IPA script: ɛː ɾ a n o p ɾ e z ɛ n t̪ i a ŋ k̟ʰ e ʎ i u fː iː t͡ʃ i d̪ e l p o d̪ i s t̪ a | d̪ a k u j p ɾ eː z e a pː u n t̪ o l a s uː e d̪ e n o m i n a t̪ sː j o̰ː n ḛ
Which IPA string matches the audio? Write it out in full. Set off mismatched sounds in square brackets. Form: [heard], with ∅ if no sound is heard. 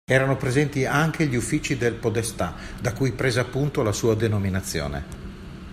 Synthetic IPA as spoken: ɛː ɾ a n o p ɾ e z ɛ n t̪ i a ŋ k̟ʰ e ʎ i u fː iː t͡ʃ i d̪ e l p o d̪ [e] s t̪ a | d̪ a k u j p ɾ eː z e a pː u n t̪ o l a s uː [a] d̪ e n o m i n a t̪ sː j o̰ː n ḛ